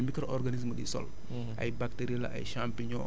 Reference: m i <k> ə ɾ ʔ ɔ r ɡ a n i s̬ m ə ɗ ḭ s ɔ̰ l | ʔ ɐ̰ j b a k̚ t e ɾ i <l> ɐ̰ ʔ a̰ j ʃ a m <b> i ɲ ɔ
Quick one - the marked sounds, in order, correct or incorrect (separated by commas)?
correct, correct, incorrect